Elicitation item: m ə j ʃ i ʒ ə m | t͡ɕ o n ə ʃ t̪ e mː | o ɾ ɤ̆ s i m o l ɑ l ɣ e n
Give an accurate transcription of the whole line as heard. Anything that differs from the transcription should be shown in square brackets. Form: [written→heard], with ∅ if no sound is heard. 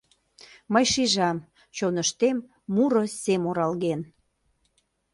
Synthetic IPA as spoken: m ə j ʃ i ʒ [ə→ɑ] m | t͡ɕ o n ə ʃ t̪ e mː | [o→u] ɾ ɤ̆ s [i→e] m o [l→ɾ] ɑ l ɣ e n